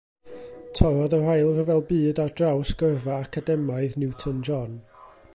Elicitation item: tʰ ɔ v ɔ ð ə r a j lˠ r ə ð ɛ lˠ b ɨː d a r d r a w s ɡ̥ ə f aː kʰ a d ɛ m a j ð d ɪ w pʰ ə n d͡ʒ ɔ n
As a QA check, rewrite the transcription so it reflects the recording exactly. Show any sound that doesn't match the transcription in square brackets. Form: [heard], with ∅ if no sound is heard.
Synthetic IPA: tʰ ɔ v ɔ ð ə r a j lˠ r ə [v] ɛ lˠ b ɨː d a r d r a w s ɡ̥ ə [v] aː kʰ a d ɛ m a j ð [n] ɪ w [tʰ] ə n d͡ʒ ɔ n